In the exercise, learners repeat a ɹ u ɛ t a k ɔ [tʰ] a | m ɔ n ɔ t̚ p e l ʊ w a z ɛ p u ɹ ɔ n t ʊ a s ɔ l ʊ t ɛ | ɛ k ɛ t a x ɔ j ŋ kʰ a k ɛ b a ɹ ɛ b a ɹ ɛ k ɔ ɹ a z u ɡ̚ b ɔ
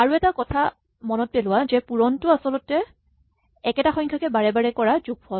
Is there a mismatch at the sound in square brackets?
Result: no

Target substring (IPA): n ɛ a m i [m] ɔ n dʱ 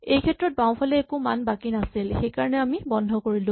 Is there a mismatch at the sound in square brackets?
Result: yes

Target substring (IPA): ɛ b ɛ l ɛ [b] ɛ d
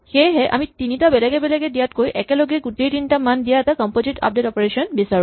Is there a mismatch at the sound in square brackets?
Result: yes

